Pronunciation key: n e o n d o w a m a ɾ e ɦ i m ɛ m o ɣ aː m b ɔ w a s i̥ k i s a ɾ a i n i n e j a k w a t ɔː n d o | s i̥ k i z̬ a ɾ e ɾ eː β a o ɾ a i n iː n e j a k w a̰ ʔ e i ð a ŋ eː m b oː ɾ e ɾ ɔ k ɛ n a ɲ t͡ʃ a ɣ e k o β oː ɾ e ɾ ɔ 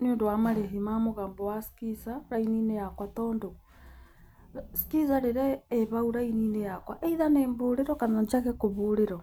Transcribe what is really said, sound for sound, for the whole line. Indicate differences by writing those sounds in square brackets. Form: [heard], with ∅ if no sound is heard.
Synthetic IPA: n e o n d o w a m a ɾ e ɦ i m [a] m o ɣ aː m b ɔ w a s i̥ k i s a ɾ a i n i n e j a k w a t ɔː n d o | s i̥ k i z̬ a ɾ e ɾ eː β a [u] ɾ a i n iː n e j a k w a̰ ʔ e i ð a [n] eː m b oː ɾ e ɾ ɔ k [a] n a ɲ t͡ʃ a ɣ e k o β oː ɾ e ɾ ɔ